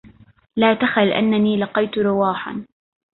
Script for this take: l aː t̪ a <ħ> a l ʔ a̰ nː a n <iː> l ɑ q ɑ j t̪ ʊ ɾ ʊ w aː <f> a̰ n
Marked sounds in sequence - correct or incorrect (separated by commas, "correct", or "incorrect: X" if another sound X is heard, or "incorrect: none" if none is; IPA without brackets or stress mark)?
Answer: incorrect: x, correct, incorrect: ħ